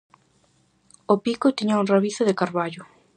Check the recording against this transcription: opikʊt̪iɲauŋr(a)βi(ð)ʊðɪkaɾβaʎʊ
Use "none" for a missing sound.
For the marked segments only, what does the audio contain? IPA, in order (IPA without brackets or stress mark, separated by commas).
a, θ